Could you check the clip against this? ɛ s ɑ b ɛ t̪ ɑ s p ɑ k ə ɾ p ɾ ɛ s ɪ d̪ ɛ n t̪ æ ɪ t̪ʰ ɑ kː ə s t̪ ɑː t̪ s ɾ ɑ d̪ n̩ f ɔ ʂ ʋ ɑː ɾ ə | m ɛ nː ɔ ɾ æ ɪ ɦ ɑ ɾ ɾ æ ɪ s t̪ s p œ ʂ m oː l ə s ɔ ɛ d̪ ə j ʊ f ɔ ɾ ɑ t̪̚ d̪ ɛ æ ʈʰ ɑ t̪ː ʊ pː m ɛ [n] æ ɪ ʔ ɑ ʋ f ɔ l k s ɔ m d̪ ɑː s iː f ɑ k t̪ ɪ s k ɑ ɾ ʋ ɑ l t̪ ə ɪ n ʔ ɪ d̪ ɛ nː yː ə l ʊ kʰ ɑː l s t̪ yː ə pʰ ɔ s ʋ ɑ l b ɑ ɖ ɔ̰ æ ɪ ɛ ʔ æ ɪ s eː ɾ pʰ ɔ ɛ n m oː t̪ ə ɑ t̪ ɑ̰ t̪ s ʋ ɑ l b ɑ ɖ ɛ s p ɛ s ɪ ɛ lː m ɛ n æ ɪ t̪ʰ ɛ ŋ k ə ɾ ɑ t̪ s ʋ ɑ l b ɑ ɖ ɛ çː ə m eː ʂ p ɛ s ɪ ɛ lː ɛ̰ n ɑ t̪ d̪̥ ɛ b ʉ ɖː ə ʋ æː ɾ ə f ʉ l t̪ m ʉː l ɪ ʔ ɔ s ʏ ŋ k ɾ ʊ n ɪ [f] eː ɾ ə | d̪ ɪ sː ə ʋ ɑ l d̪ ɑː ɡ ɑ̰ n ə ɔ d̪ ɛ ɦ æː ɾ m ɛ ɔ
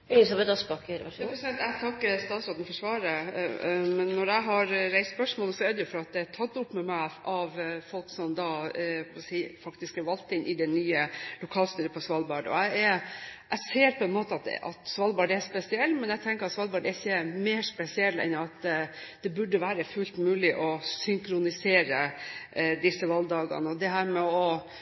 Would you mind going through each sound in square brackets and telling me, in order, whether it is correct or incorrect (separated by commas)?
incorrect, incorrect